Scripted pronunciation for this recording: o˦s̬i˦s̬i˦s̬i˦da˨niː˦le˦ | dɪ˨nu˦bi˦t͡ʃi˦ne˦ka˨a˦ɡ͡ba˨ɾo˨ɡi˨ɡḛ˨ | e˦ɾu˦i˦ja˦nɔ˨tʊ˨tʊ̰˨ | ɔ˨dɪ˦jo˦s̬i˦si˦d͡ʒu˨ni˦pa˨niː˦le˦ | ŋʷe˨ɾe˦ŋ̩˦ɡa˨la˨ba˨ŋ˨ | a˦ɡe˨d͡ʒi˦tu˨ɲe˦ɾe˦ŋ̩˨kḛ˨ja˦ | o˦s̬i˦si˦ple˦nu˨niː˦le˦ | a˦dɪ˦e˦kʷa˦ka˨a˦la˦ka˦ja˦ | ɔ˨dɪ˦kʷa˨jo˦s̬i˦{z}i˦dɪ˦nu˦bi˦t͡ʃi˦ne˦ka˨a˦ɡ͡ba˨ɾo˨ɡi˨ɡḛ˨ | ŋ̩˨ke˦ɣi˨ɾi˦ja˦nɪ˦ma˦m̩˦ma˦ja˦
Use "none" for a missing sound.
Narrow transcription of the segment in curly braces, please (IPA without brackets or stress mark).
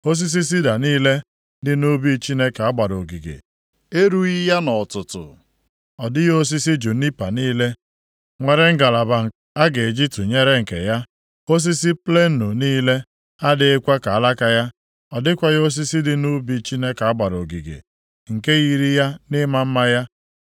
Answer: s